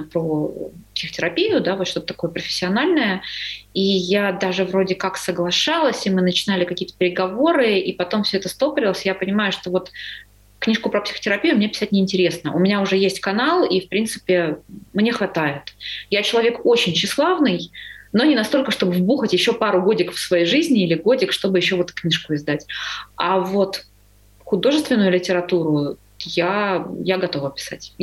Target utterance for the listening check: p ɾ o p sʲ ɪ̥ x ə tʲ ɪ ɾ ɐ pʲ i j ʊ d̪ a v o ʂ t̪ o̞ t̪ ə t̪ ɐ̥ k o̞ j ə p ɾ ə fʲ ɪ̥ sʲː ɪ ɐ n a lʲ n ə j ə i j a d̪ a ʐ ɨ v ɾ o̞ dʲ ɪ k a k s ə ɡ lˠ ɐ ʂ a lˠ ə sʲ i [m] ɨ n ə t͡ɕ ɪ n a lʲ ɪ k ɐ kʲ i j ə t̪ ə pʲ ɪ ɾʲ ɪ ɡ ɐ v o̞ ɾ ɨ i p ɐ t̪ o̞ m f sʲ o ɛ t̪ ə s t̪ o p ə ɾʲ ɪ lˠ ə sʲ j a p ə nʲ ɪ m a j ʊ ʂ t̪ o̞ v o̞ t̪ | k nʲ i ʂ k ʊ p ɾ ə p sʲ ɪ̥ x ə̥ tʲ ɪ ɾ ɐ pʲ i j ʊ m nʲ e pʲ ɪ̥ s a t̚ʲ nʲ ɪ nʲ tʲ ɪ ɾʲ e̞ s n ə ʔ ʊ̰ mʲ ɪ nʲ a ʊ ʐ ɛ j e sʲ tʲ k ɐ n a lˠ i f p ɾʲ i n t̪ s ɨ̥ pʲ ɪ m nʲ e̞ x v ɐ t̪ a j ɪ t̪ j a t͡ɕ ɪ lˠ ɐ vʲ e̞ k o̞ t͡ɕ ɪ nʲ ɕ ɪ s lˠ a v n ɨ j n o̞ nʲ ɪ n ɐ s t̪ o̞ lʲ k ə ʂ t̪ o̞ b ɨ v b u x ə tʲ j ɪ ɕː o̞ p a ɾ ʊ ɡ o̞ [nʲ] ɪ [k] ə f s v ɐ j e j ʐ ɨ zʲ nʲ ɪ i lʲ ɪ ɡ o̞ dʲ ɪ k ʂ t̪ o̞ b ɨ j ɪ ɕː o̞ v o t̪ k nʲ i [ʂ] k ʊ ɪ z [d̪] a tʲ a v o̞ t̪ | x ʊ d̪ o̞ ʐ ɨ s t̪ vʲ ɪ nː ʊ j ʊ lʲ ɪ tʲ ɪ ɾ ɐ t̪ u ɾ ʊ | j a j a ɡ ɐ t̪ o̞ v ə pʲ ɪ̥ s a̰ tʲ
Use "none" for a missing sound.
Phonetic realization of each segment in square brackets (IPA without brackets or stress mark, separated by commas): m, dʲ, k, ʂ, d̪